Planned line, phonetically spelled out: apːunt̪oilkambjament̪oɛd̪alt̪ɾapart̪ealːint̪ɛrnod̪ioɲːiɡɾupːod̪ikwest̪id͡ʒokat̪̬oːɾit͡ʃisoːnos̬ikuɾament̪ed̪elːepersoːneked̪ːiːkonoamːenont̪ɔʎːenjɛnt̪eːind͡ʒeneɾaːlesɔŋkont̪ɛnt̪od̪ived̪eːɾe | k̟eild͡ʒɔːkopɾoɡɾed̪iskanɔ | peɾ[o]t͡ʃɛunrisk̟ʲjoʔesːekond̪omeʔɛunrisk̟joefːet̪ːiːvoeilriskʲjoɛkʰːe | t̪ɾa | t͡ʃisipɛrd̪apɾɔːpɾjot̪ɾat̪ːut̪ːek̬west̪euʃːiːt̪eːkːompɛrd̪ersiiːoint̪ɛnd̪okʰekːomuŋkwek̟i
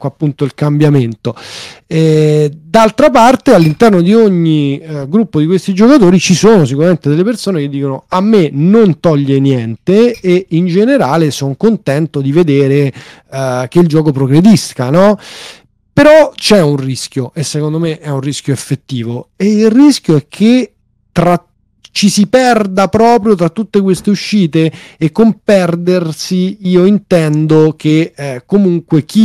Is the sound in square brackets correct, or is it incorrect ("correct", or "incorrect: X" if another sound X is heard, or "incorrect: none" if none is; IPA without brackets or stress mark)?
incorrect: ɔ